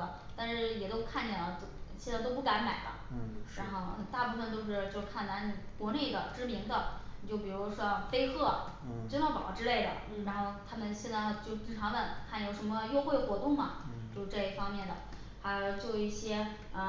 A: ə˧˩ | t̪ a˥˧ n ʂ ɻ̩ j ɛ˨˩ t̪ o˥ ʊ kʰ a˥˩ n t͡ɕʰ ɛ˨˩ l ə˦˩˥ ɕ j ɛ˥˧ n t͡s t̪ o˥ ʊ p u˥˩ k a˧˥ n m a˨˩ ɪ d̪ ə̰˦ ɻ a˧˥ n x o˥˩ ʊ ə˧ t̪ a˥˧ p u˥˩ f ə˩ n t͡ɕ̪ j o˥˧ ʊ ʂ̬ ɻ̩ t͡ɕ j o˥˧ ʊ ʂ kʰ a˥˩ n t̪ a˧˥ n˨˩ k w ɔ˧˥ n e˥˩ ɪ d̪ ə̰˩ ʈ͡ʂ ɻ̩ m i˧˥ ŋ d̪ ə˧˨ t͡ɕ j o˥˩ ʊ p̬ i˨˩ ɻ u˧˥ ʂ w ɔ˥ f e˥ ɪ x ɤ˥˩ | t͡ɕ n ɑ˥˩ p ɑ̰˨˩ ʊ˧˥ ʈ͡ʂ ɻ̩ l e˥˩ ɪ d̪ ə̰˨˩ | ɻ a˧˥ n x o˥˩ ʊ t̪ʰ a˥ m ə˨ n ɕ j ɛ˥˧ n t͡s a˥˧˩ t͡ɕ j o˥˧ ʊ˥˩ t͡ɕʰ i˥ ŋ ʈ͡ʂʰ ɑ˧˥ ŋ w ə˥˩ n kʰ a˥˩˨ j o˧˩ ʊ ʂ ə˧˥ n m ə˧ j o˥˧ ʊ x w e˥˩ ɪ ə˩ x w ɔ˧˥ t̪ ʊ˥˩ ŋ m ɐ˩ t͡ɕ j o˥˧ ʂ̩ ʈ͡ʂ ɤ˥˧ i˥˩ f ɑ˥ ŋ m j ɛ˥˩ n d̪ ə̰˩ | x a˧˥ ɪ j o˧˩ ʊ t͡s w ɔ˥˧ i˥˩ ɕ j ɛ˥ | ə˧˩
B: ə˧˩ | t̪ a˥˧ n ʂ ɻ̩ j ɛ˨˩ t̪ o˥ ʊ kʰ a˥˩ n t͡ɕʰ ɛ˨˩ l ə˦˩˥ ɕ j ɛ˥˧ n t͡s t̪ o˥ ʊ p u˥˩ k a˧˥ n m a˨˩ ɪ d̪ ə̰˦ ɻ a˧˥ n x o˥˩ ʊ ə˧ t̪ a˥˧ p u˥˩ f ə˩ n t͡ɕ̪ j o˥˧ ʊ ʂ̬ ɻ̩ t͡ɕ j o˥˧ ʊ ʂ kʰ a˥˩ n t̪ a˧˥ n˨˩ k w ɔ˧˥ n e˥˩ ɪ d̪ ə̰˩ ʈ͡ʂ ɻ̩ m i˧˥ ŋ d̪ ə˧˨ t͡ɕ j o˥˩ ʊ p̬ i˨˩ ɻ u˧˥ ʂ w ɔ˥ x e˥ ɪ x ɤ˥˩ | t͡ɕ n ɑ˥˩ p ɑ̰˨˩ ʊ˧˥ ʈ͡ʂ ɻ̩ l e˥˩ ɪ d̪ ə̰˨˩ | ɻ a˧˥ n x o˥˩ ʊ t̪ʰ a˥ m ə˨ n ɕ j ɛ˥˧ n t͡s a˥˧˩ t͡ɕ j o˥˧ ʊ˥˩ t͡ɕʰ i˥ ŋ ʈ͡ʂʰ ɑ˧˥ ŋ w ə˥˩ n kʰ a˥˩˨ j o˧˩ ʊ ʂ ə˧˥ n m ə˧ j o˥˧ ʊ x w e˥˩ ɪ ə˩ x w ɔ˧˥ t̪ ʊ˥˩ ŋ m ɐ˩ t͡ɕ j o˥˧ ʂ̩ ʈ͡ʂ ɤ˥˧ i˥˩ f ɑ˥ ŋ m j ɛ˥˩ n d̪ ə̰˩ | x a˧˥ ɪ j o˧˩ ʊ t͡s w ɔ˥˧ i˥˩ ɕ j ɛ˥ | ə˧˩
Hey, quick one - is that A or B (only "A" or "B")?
A